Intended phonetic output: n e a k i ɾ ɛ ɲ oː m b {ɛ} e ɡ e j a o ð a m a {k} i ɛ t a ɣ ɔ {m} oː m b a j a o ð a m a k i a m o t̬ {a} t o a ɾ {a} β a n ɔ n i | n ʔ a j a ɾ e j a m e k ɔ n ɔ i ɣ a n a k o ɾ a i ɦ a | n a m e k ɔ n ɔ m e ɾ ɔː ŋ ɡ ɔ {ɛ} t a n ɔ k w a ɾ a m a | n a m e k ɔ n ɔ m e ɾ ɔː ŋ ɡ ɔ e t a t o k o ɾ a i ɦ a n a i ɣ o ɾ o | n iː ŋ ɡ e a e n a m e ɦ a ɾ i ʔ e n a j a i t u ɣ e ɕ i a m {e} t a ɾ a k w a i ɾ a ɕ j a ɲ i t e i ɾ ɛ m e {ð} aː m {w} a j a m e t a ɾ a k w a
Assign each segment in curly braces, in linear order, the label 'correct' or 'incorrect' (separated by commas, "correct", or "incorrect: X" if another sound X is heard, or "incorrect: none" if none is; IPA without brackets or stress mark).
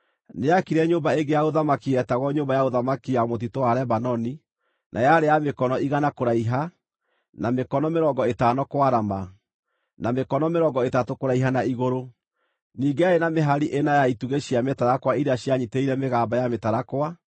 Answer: incorrect: a, correct, incorrect: ɲ, incorrect: i, incorrect: ɛ, incorrect: e, correct, incorrect: ɣ, incorrect: b